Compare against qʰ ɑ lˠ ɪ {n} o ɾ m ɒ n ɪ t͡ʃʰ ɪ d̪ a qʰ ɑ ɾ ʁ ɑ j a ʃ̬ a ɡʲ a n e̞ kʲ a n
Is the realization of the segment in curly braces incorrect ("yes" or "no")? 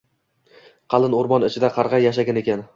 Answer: no